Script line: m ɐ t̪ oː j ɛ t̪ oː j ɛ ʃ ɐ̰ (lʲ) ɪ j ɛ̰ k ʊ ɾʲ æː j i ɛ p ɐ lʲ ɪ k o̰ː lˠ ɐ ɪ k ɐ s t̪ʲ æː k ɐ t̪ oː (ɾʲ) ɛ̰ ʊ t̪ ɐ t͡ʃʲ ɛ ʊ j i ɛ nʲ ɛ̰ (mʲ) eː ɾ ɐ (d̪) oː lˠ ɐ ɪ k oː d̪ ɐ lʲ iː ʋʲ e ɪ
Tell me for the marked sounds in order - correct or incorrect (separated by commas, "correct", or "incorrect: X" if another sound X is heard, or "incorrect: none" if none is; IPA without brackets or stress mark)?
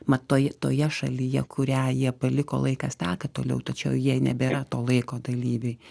correct, incorrect: lʲ, incorrect: bʲ, incorrect: t̪